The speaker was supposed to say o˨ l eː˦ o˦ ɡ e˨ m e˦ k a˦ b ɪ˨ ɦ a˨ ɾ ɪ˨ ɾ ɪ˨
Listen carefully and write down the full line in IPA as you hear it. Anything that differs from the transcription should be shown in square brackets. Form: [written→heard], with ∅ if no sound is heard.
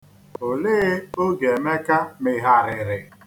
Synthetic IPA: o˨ l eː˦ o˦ ɡ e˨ m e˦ k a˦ [b→m] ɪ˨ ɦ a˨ ɾ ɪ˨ ɾ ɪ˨